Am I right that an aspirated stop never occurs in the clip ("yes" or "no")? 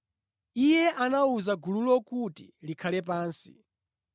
no